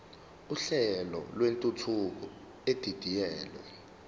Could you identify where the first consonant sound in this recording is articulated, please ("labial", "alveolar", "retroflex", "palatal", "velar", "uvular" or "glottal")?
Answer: alveolar